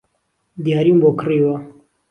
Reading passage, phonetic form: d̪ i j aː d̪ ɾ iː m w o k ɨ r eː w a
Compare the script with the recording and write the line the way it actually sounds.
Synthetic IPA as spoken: d̪ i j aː ɾ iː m b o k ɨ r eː w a

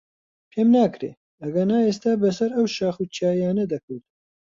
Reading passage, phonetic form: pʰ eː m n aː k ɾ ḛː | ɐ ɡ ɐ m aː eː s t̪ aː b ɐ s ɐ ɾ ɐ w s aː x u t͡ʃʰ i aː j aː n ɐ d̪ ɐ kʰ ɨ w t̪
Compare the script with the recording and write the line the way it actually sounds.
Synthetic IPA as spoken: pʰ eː m n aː k ɾ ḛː | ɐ ɡ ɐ n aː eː s t̪ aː b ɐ s ɐ ɾ ɐ w ʃ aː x u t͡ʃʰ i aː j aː n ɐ d̪ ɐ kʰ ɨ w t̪

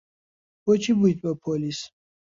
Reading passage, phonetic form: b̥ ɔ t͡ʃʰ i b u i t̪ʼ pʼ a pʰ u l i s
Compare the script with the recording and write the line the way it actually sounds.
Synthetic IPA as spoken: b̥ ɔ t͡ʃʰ i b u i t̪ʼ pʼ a pʰ ɔ l i s

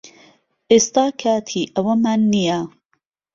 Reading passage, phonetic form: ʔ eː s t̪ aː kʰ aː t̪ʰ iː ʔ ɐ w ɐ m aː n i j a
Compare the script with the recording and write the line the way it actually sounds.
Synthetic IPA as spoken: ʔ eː s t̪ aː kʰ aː t̪ʰ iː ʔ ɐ w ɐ m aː nː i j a

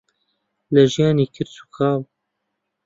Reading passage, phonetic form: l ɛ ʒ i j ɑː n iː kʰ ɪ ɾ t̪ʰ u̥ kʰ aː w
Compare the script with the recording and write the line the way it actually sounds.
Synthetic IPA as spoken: l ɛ ʒ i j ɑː n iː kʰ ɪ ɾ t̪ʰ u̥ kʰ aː w

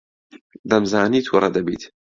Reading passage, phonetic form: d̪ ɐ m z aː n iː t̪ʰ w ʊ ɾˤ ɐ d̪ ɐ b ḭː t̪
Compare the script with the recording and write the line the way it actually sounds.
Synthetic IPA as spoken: d̪ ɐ m z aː n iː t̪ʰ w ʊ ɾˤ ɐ d̪ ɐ b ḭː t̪

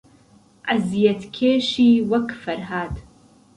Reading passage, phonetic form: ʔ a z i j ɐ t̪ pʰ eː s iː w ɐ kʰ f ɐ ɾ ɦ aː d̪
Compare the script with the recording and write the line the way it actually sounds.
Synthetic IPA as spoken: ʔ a z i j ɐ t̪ kʰ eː ʃ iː w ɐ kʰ f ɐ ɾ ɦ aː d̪

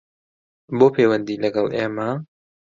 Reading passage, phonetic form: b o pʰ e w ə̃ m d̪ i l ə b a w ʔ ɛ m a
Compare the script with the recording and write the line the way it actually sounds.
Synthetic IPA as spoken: b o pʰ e w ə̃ n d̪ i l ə ɡ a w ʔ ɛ m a

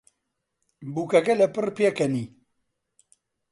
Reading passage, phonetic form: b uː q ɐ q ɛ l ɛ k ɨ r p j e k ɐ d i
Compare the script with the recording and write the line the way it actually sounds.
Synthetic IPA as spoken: b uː k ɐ k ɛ l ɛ p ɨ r p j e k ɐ n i

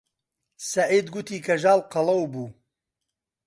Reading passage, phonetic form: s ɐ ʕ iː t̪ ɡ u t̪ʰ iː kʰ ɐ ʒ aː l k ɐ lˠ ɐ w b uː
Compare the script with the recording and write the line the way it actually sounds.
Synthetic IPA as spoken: s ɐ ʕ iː d̪ ɡ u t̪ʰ iː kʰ ɐ ʒ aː l q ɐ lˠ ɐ w b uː

